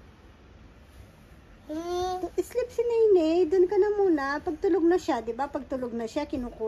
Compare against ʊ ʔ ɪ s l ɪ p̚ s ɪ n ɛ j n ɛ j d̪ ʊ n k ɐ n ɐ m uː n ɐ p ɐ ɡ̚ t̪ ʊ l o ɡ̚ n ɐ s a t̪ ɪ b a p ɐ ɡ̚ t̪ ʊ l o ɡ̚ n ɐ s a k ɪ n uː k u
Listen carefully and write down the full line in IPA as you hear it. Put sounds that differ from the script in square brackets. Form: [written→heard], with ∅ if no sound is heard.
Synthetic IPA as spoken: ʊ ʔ ɪ s l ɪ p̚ s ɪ n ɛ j n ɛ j d̪ ʊ n k ɐ n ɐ m uː n ɐ p ɐ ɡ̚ t̪ ʊ l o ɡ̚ n ɐ [s→ʃ] a [t̪→d̪] ɪ b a p ɐ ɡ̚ t̪ ʊ l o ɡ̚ n ɐ [s→ʃ] a k ɪ n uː k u